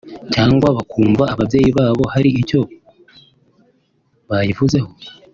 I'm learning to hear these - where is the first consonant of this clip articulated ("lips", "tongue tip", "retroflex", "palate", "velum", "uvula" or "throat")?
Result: palate